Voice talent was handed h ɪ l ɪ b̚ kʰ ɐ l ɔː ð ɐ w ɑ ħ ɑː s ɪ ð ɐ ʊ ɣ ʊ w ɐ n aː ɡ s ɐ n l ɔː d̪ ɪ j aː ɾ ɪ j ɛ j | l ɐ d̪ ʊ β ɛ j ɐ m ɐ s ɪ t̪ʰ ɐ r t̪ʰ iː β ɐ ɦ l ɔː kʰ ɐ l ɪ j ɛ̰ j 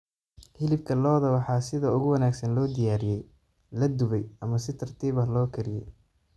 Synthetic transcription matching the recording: h ɪ l ɪ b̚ kʰ ɐ l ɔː ð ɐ w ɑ ħ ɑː s ɪ ð ɐ ʊ ɣ ʊ w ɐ n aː ɡ s ɐ n l ɔː d̪ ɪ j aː ɾ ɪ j ɛ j | l ɐ d̪ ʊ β ɛ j ɐ m ɐ s ɪ t̪ʰ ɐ r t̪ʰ iː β ɐ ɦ l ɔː kʰ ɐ ɾ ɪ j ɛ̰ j